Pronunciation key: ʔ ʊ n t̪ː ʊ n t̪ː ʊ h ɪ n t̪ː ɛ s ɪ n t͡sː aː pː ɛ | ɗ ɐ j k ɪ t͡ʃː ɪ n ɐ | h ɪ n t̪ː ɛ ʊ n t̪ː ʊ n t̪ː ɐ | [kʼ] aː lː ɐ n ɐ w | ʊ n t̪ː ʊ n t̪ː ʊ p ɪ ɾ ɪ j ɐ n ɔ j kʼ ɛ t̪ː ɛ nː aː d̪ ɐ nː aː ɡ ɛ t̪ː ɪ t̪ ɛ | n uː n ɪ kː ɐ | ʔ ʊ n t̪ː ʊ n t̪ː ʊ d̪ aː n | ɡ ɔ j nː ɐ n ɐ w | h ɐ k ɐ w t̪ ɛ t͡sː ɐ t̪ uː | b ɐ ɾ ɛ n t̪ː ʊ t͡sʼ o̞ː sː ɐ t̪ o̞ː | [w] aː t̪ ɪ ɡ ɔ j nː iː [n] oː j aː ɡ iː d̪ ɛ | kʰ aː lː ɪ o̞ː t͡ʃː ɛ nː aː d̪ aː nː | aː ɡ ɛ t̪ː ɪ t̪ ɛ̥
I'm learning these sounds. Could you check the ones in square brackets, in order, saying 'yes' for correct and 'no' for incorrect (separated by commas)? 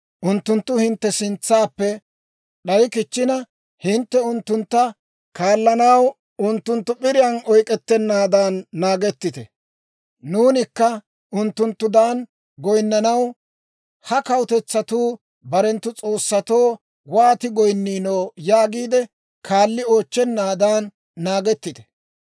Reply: no, yes, yes